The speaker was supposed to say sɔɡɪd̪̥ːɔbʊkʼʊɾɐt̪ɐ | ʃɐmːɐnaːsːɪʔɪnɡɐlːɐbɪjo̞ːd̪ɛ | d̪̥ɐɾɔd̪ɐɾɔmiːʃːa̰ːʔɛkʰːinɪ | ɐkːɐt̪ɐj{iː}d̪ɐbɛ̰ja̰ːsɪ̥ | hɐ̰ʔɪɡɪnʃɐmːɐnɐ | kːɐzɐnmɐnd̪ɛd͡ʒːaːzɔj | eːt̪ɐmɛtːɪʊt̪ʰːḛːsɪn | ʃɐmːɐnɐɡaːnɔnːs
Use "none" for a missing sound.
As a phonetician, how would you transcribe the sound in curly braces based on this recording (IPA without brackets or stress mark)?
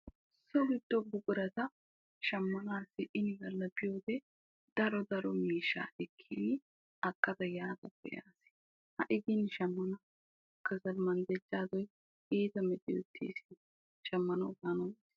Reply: aː